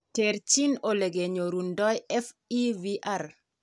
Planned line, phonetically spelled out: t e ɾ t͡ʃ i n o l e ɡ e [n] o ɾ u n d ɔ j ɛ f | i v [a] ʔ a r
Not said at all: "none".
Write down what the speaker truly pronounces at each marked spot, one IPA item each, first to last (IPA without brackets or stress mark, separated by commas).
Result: ɲ, i